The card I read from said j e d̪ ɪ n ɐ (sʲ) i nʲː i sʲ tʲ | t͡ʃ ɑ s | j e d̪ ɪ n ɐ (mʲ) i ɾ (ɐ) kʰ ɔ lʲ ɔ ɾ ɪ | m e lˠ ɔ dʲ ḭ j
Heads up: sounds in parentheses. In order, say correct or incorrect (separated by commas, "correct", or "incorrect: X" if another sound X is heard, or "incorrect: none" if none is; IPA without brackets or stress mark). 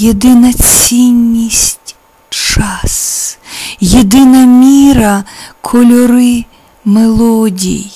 incorrect: t͡sʲ, correct, correct